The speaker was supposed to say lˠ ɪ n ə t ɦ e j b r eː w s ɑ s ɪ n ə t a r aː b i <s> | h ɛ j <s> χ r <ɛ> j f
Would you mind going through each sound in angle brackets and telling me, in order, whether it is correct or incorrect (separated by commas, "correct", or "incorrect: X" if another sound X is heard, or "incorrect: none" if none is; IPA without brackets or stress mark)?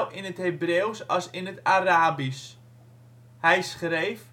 correct, correct, incorrect: e